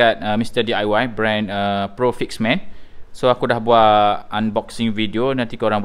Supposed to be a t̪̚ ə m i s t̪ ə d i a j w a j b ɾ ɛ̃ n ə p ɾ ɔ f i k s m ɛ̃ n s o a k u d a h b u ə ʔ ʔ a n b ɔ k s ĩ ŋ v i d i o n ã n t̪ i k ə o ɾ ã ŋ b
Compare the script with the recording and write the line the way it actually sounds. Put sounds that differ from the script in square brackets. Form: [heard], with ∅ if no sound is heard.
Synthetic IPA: a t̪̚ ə m i s t̪ ə d i a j w a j b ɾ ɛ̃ n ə p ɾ [o] f i k s m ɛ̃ n s o a k u d a h b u [a] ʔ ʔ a n b ɔ k s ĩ ŋ v i d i o n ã n t̪ i k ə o ɾ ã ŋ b